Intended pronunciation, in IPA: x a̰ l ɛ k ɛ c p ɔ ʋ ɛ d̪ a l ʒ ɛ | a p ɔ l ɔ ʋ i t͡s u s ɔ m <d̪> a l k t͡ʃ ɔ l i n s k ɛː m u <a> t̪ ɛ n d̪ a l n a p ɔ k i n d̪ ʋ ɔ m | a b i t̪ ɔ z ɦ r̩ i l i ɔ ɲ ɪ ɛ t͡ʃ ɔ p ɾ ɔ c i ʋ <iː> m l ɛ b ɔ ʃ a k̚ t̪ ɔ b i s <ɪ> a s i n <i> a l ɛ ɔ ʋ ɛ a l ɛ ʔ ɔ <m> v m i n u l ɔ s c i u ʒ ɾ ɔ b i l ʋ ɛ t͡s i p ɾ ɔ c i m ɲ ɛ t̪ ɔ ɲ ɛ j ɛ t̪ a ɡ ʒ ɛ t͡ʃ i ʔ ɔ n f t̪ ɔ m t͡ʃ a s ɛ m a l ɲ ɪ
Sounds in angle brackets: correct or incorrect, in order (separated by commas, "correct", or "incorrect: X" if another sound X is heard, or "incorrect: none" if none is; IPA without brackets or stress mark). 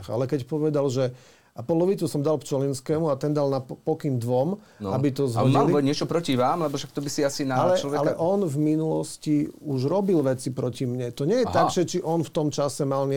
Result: correct, correct, incorrect: aː, incorrect: i, incorrect: a, incorrect: n